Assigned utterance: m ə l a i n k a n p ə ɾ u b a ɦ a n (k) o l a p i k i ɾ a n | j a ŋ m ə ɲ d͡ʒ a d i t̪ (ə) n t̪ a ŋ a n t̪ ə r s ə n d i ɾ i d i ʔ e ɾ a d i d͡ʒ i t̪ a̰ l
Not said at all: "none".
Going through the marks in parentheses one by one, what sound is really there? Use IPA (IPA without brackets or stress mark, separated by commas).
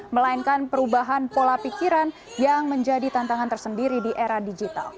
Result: p, a